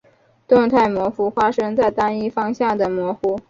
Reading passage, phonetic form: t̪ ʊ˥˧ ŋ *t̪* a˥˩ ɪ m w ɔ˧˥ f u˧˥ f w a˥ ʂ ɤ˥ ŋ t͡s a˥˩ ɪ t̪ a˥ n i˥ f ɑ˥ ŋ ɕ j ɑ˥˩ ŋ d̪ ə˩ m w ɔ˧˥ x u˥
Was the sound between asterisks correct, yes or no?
no